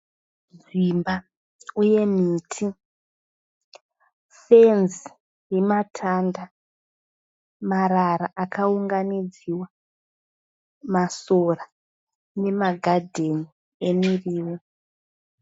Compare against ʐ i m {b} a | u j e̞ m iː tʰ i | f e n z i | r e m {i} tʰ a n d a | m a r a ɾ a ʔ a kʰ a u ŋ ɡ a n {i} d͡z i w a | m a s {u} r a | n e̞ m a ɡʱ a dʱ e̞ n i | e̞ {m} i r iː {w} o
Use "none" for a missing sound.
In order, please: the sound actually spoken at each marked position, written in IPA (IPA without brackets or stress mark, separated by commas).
b, a, i, o, m, w